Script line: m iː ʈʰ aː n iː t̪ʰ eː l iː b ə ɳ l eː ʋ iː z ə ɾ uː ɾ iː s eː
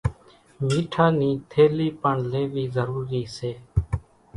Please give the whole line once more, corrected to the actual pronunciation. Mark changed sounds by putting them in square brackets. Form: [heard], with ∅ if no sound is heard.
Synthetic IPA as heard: m iː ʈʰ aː n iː t̪ʰ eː l iː [p] ə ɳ l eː ʋ iː z ə ɾ uː ɾ iː s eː